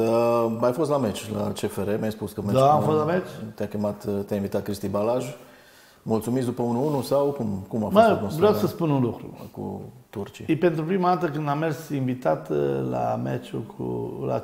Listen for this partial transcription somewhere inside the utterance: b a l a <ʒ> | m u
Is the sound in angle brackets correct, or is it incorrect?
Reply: correct